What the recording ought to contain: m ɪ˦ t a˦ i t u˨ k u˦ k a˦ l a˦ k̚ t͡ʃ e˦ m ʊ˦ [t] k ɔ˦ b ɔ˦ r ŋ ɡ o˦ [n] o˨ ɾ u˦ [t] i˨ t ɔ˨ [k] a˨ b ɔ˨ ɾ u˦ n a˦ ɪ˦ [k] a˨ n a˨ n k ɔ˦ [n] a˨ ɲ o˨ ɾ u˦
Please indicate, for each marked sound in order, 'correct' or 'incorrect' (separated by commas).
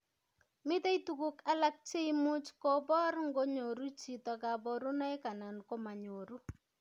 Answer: incorrect, incorrect, incorrect, correct, correct, incorrect